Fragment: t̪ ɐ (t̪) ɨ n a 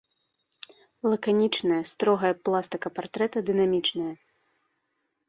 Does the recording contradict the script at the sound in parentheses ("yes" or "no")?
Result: yes